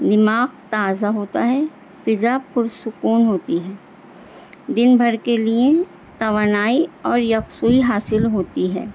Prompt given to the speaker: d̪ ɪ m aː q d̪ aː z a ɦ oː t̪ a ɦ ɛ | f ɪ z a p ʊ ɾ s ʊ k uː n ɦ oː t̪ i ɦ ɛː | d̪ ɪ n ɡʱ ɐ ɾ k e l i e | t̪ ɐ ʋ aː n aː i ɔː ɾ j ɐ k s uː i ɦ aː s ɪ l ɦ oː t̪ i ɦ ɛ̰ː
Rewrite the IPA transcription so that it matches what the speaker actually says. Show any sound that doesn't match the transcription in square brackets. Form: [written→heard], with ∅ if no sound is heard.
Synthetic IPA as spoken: d̪ ɪ m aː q [d̪→t̪] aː z a ɦ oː t̪ a ɦ ɛ | f ɪ z a p ʊ ɾ s ʊ k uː n ɦ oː t̪ i ɦ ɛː | d̪ ɪ n [ɡʱ→bʱ] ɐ ɾ k e l i e | t̪ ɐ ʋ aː n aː i ɔː ɾ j ɐ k s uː i ɦ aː s ɪ l ɦ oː t̪ i ɦ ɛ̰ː